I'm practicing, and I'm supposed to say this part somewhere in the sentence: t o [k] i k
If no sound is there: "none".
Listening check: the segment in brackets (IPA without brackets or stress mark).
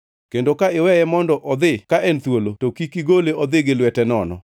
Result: k